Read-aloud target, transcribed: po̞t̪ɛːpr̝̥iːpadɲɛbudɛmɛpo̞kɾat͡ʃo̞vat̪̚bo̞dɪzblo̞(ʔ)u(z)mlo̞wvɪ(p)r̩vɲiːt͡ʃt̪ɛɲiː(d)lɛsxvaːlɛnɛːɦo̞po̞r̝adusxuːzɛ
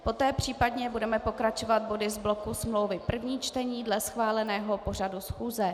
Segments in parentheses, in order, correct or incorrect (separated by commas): incorrect, incorrect, correct, correct